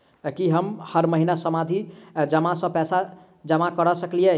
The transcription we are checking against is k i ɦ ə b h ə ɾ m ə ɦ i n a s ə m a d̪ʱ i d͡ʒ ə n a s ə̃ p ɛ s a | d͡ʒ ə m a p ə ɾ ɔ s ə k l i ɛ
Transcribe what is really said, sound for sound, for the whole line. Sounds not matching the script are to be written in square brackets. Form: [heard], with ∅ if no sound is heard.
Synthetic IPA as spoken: k i ɦ ə [m] h ə ɾ m ə ɦ i n a s ə m a d̪ʱ i d͡ʒ ə [m] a s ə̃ p ɛ s a | d͡ʒ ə m a [k] ə ɾ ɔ s ə k l i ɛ